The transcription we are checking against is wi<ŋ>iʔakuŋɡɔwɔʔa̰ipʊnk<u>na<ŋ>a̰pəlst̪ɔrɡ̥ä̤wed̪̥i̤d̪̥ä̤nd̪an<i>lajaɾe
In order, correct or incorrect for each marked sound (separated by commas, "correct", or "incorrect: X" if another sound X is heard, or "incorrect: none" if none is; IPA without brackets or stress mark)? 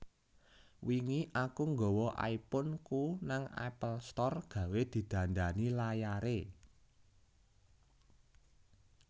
correct, correct, correct, correct